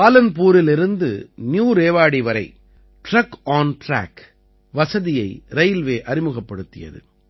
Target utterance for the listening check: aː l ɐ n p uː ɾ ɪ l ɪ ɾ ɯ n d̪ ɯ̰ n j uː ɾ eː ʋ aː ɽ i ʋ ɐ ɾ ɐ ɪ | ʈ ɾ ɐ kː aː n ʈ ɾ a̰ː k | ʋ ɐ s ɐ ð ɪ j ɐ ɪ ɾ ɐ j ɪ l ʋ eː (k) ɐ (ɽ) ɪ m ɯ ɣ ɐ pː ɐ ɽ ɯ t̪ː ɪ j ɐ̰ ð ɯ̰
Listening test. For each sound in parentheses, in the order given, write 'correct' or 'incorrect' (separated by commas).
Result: incorrect, incorrect